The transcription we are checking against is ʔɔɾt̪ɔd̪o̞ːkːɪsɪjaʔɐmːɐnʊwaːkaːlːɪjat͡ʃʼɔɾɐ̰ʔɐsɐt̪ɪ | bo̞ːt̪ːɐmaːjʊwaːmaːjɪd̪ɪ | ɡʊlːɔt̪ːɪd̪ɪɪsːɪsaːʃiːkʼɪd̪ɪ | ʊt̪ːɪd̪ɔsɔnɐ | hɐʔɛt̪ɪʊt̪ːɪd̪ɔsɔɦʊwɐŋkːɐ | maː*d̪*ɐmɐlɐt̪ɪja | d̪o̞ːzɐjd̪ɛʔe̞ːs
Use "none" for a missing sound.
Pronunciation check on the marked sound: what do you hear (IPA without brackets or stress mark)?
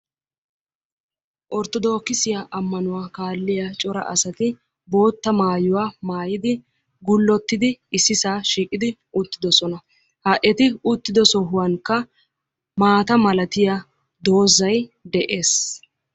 t̪